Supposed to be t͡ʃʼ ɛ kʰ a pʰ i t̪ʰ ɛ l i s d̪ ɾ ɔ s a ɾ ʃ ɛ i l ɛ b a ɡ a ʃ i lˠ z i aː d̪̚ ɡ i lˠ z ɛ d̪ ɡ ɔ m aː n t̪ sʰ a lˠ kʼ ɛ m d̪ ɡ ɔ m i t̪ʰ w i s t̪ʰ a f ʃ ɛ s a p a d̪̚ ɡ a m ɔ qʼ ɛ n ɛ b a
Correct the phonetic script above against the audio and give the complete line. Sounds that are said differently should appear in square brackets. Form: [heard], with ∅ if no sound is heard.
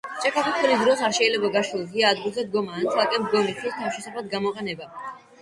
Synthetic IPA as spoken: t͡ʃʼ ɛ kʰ a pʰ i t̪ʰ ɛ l i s d̪ ɾ ɔ s a ɾ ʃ ɛ i l ɛ b a ɡ a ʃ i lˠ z i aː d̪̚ ɡ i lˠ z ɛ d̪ ɡ ɔ m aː n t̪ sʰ a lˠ kʼ ɛ m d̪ ɡ ɔ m i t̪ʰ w i s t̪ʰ a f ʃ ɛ s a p a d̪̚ ɡ a m ɔ qʼ ɛ n ɛ b a